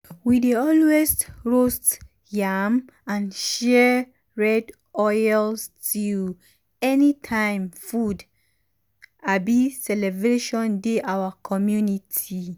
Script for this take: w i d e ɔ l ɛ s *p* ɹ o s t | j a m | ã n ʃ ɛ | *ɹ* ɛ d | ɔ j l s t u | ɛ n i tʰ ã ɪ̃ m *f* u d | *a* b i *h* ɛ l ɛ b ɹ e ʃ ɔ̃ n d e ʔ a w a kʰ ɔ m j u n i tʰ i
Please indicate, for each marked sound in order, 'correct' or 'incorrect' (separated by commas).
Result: incorrect, correct, correct, correct, incorrect